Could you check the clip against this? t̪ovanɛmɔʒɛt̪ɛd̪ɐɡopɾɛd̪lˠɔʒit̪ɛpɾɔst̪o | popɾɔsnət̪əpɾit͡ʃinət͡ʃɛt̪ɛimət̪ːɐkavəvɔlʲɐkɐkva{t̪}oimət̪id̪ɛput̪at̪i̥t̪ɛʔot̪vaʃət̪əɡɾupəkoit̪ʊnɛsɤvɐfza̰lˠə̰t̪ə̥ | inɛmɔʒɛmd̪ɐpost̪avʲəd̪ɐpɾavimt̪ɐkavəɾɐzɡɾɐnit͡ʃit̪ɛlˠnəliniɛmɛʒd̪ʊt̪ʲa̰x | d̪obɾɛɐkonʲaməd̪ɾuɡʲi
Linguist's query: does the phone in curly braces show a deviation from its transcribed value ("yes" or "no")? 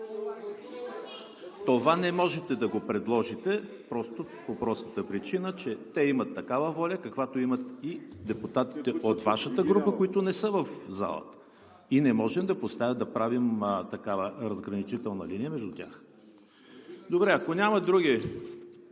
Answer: no